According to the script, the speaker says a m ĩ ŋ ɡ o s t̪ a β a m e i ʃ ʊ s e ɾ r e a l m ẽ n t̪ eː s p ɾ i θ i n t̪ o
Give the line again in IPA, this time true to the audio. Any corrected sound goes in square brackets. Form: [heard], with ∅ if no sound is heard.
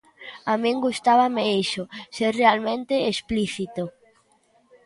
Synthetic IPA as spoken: a m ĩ ŋ ɡ [u] s t̪ a β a m e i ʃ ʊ s e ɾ r e a l m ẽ n t̪ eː s p [l] i θ i [∅] t̪ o